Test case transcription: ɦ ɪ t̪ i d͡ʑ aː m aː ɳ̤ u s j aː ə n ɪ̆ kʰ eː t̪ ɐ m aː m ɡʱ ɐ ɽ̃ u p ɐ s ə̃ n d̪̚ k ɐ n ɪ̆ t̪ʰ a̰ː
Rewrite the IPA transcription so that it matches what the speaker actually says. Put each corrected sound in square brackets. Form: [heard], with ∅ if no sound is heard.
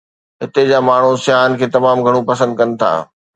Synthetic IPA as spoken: ɦ ɪ t̪ [e] d͡ʑ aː m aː ɳ̤ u s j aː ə n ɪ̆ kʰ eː t̪ ɐ m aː m ɡʱ ɐ ɽ̃ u p ɐ s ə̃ n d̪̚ k ɐ n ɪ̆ t̪ʰ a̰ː